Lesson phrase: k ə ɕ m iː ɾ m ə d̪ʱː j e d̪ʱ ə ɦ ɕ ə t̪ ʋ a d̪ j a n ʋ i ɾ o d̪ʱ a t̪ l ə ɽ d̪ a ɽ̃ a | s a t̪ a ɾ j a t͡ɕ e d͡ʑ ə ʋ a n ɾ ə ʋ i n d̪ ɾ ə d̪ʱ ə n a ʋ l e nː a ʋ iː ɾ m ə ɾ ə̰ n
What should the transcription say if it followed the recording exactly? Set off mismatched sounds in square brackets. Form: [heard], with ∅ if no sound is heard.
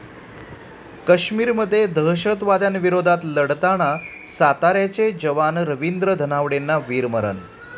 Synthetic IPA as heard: k ə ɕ m iː ɾ m ə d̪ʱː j e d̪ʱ ə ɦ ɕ ə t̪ ʋ a d̪ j a n ʋ i ɾ o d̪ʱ a t̪ l ə ɽ [t̪] a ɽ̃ a | s a t̪ a ɾ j a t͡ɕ e d͡ʑ ə ʋ a n ɾ ə ʋ i n d̪ ɾ ə d̪ʱ ə n a ʋ [ɽ] e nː a ʋ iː ɾ m ə ɾ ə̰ n